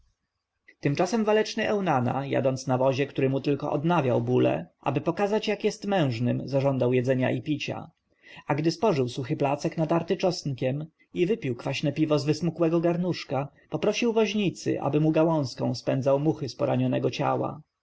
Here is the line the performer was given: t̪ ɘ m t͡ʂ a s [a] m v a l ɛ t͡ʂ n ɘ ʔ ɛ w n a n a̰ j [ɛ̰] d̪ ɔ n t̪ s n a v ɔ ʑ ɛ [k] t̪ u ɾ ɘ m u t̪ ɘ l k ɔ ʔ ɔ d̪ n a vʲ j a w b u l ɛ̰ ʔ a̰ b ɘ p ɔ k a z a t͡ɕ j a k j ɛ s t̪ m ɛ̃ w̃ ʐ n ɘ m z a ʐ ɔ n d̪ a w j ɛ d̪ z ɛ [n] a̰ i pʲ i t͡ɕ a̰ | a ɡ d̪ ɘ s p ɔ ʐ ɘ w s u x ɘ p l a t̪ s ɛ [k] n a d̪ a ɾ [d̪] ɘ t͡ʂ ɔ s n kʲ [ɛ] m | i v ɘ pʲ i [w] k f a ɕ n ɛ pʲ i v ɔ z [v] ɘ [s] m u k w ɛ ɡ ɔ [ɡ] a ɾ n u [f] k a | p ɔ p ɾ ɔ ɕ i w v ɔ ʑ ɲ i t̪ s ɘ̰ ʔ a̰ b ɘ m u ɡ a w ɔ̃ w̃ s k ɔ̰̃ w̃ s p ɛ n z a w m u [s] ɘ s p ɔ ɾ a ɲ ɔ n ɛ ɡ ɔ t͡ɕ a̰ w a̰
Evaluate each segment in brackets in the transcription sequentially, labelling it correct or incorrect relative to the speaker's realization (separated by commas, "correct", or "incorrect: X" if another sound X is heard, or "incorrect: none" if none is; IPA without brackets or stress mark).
incorrect: ɛ, incorrect: a̰, correct, incorrect: ɲ, correct, incorrect: t̪, correct, correct, correct, correct, correct, incorrect: ʂ, incorrect: x